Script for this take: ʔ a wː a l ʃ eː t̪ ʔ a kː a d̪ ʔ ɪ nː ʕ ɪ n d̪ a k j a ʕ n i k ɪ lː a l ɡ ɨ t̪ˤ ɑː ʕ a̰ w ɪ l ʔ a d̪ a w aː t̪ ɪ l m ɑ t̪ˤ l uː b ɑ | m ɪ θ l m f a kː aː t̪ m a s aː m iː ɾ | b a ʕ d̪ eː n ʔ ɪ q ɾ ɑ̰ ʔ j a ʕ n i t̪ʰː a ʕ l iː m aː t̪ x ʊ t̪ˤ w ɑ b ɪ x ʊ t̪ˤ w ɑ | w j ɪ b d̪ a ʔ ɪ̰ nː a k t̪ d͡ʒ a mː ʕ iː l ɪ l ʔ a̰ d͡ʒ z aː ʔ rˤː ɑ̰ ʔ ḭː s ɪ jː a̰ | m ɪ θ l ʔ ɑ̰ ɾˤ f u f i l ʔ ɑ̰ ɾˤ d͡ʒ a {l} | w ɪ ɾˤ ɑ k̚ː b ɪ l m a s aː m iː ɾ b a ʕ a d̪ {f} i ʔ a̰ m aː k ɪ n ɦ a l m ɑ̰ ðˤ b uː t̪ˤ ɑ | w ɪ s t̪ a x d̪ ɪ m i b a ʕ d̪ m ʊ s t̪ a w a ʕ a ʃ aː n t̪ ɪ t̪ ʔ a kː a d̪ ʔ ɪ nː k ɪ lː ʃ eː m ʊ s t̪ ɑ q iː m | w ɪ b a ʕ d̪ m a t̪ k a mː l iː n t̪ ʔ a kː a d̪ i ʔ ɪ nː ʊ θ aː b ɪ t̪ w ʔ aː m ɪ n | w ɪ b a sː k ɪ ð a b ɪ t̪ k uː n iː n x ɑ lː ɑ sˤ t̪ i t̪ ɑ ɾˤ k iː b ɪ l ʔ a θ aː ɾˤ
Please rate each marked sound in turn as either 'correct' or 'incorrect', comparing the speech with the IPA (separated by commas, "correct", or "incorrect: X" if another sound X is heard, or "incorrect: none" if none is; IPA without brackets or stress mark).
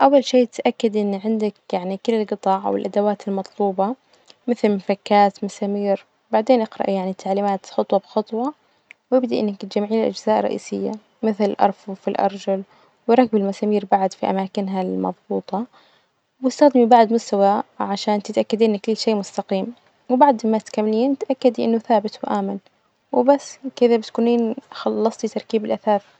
correct, correct